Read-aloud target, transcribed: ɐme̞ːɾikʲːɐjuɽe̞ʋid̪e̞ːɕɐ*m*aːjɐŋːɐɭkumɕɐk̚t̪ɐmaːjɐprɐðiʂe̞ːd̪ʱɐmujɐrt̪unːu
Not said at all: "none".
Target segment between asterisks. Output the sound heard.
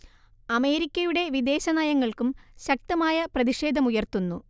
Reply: n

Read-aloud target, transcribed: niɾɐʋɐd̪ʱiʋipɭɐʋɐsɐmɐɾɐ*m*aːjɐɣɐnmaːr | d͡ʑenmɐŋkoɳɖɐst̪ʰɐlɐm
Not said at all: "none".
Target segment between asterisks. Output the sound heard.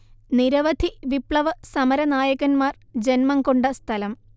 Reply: n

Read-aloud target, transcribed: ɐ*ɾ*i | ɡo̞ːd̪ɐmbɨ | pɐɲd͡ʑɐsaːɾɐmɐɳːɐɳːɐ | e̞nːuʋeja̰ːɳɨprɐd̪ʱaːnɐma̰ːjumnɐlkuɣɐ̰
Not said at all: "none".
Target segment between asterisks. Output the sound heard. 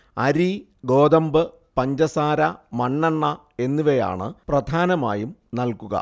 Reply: ɾ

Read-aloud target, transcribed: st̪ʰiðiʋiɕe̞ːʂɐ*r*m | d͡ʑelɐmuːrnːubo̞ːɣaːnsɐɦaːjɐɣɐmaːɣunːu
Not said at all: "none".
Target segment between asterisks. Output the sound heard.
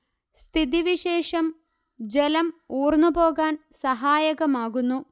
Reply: none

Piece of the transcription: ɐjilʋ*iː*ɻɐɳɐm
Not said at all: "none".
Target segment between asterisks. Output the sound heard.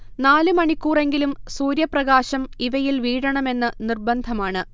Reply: iː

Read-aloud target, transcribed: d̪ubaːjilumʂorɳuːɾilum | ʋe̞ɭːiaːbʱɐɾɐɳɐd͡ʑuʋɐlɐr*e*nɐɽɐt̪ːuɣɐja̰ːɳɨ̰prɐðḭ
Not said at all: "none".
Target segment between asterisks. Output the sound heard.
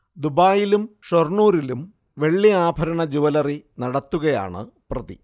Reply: i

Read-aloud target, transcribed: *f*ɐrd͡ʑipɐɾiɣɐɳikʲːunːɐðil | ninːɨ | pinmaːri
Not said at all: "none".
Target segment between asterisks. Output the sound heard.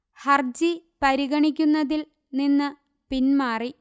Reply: h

